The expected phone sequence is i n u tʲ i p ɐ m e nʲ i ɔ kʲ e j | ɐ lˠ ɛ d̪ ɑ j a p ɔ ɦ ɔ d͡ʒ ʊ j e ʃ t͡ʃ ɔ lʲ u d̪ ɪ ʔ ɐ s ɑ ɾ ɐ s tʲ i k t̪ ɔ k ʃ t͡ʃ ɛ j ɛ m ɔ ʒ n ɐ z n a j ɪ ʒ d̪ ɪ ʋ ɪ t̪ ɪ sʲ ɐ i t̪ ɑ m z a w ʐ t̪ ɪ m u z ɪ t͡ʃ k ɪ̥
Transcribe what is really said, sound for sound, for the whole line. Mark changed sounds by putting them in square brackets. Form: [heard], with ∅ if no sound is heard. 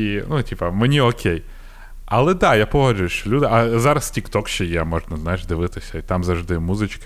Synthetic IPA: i n u tʲ i p ɐ m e nʲ i ɔ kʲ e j | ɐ lˠ ɛ d̪ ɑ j a p ɔ ɦ ɔ d͡ʒ ʊ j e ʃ t͡ʃ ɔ lʲ u d̪ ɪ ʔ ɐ [z] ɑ ɾ ɐ s tʲ i k t̪ ɔ k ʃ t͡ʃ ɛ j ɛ m ɔ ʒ n ɐ z n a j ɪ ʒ d̪ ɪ ʋ ɪ t̪ ɪ sʲ ɐ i t̪ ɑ m z [ɐ] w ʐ [d̪] ɪ m u z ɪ t͡ʃ k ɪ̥